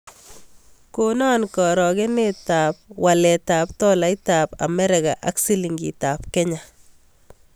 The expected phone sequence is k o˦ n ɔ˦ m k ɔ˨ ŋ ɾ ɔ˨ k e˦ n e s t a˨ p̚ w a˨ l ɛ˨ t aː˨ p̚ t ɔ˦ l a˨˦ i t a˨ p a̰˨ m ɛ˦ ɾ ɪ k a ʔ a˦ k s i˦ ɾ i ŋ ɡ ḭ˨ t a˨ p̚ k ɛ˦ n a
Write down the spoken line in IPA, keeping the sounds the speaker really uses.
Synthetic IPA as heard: k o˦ n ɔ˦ n k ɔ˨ ɾ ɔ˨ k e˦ n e t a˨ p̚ w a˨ l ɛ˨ t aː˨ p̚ t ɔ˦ l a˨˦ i t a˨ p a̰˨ m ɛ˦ ɾ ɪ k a ʔ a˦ k s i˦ l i ŋ ɡ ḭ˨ t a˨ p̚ k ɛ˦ ɲ a